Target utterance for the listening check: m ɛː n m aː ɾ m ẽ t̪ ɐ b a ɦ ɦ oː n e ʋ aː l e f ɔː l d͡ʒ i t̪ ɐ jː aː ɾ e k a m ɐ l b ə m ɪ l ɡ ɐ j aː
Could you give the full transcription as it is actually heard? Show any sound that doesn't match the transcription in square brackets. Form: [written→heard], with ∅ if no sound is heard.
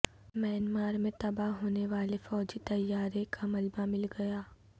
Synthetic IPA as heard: m ɛː n m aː ɾ m ẽ t̪ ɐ b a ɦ ɦ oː n e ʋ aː l e f ɔː [l→∅] d͡ʒ i t̪ ɐ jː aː ɾ e k a m ɐ l b [ə→a] m ɪ l ɡ ɐ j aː